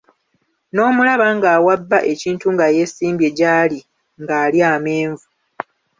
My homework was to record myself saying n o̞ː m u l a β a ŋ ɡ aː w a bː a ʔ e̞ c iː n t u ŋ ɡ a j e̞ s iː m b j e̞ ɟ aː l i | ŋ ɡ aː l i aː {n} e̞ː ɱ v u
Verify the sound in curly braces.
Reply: incorrect: m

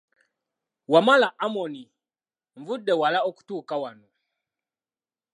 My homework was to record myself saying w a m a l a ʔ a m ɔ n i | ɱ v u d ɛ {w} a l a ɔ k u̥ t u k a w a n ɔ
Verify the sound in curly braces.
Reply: correct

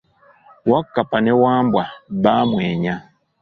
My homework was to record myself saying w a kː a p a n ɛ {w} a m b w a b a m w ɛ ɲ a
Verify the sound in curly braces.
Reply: correct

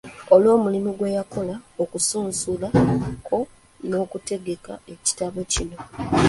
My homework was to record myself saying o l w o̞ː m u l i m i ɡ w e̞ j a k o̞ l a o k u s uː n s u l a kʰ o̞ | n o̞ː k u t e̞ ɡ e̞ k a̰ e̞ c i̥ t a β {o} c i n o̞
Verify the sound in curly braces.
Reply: correct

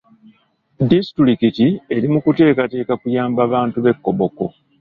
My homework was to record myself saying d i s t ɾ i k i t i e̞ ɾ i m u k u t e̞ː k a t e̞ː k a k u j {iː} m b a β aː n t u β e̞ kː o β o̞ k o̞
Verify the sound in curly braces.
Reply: incorrect: aː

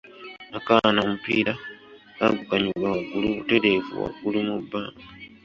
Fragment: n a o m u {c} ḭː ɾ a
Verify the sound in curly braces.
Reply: incorrect: p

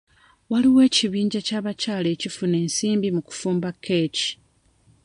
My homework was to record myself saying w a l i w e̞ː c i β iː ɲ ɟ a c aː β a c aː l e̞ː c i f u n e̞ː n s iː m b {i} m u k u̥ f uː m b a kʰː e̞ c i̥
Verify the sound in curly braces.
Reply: correct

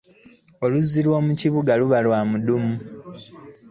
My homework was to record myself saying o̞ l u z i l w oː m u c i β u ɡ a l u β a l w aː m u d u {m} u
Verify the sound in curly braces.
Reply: correct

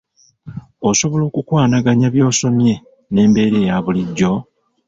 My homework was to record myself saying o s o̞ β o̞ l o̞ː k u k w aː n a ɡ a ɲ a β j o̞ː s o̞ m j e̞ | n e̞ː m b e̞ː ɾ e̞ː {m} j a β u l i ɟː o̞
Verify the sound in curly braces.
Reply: incorrect: none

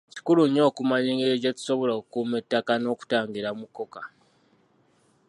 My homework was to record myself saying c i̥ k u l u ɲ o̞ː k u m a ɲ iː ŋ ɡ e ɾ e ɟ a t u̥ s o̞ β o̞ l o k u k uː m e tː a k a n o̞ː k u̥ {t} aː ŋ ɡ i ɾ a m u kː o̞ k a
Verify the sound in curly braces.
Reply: correct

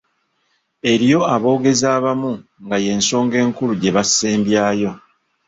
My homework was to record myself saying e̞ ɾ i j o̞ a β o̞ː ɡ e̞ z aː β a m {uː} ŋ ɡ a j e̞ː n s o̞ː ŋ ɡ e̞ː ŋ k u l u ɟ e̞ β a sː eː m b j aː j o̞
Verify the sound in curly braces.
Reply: incorrect: u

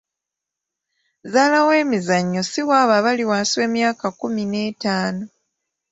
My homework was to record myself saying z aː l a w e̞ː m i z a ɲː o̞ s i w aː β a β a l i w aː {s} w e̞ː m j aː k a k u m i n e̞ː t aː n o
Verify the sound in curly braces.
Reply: correct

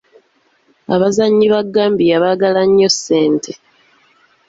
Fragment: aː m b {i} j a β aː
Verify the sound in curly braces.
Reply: correct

